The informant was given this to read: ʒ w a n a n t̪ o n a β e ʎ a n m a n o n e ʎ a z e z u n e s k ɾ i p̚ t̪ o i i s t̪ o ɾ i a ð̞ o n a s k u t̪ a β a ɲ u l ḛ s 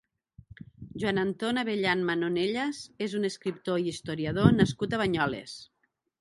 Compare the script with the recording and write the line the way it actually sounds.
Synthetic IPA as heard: ʒ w a n a n t̪ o n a β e ʎ a n m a n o n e ʎ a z e z u n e s k ɾ i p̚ t̪ o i i s t̪ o ɾ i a ð̞ o n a s k u t̪ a β a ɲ ɔ l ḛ s